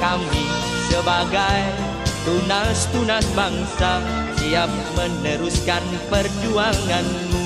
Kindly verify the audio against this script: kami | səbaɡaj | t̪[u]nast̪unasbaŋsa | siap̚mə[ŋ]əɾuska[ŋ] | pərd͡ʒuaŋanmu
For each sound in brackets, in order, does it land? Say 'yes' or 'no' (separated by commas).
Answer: yes, no, no